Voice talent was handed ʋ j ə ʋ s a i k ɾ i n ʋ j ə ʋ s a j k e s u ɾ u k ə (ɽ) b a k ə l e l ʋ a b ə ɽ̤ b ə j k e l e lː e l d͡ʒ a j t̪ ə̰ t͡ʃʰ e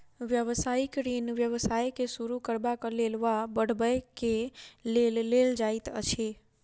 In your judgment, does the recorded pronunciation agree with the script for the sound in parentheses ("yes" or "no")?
no